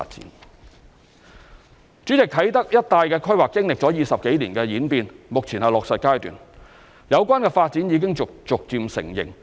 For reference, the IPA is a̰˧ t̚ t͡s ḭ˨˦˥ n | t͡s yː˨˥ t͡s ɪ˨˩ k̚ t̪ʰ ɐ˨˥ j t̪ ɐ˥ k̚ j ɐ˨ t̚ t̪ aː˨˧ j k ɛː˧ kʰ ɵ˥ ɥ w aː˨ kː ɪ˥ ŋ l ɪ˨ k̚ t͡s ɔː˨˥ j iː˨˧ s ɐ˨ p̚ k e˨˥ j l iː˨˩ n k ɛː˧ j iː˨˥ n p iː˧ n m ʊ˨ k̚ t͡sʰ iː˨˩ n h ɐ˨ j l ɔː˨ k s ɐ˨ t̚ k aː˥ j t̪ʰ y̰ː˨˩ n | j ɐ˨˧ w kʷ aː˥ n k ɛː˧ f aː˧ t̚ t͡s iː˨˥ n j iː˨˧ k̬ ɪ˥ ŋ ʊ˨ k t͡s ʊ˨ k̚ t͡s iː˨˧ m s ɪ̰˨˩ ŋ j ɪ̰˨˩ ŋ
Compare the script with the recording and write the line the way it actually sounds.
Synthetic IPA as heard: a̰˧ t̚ t͡s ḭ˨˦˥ n | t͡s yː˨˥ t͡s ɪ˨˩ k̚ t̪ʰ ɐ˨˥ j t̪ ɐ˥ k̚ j ɐ˥ t̚ t̪ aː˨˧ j k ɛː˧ kʰ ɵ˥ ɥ w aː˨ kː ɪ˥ ŋ l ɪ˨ k̚ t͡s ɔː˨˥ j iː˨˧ s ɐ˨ p̚ k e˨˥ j l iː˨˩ n k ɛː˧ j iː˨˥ n p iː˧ n m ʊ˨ k̚ t͡sʰ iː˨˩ n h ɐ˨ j l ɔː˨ k s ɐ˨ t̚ k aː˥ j t̪ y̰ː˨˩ n | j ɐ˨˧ w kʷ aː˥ n k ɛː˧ f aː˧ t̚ t͡s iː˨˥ n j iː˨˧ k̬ ɪ˥ ŋ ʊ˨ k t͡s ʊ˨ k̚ t͡s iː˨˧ m s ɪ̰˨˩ ŋ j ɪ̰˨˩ ŋ